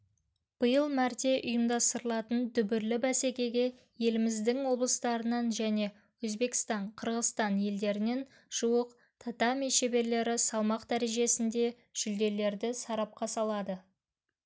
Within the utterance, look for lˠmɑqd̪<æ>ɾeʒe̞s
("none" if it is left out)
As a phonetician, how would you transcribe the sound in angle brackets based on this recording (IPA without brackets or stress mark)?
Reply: æ